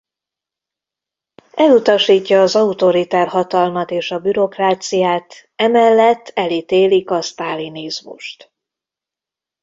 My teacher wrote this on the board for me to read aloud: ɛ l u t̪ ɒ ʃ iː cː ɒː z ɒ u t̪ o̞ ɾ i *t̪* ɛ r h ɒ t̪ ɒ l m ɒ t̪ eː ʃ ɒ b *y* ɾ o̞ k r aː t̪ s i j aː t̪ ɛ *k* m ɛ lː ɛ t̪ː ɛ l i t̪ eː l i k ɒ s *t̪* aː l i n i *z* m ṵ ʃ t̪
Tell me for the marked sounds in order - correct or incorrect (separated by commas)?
correct, correct, incorrect, correct, correct